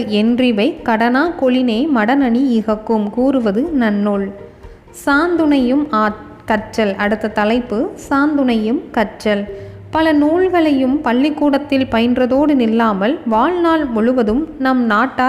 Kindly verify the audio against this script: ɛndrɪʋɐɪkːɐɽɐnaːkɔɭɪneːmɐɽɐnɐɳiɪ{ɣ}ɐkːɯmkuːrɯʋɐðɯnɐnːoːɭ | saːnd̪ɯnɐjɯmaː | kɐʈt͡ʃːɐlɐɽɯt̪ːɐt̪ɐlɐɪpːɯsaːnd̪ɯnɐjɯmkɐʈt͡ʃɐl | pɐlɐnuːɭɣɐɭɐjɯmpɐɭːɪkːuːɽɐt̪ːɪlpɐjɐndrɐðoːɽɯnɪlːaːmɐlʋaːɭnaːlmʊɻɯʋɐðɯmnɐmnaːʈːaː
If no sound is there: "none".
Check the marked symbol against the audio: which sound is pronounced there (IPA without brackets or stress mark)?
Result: ɣ